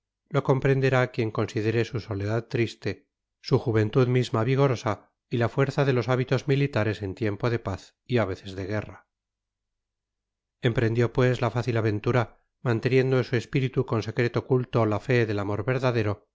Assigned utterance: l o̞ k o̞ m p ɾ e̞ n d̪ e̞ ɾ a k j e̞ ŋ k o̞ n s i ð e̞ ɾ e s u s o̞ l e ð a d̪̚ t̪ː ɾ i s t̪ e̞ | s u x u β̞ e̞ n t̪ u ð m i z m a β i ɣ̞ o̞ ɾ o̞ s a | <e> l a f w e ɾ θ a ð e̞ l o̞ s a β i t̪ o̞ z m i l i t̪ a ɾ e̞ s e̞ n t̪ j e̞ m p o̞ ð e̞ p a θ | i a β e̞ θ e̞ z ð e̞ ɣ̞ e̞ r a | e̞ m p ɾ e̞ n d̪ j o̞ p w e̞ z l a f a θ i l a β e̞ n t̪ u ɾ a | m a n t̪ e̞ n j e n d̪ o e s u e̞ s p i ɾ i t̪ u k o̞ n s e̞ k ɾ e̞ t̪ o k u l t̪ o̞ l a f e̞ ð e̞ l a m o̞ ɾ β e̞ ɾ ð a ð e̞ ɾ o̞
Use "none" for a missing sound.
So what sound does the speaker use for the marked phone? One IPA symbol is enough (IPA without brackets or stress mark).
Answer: i